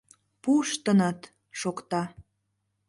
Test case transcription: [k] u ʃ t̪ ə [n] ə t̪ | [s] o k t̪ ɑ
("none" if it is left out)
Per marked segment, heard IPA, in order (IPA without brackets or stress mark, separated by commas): p, n, ʃ